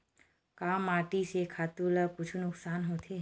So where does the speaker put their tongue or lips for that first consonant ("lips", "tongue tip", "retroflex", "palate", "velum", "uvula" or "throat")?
velum